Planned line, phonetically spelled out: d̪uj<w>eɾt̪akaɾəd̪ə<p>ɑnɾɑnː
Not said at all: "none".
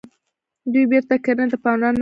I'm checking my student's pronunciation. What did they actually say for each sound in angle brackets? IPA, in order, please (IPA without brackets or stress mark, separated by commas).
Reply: b, p